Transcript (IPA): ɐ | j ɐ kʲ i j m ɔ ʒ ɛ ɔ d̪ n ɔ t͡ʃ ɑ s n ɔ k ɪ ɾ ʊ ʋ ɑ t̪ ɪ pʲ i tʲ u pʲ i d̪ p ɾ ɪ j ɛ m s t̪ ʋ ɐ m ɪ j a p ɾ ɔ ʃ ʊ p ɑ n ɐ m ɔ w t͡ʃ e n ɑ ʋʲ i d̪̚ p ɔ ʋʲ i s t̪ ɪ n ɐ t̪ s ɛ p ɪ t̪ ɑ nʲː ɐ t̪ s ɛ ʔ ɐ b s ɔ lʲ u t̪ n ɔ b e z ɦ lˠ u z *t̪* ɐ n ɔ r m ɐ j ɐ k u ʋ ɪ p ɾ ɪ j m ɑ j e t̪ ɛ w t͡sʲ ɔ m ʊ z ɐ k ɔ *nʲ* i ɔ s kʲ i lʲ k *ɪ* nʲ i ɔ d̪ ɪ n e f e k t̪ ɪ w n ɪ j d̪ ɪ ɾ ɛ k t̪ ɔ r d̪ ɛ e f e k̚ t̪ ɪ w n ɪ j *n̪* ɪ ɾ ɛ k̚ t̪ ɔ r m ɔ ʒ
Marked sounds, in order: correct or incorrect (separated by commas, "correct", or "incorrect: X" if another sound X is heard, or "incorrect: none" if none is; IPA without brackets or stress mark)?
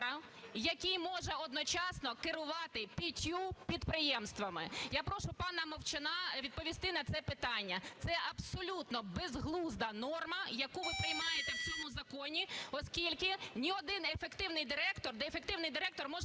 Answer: incorrect: d̪, correct, correct, incorrect: d̪